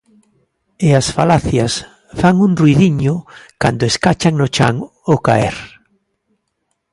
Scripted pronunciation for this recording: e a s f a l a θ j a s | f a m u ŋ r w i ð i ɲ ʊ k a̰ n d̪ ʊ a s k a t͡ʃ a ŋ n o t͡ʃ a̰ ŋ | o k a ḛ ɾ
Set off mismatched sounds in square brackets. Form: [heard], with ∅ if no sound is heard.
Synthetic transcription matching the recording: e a s f a l a θ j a s | f a [ŋ] u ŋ r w i ð i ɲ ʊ k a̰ n d̪ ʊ [e] s k a t͡ʃ a ŋ n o t͡ʃ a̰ ŋ | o k a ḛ ɾ